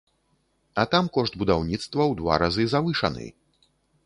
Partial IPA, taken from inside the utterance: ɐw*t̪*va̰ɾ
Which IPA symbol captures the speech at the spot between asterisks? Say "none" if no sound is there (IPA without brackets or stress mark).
d̪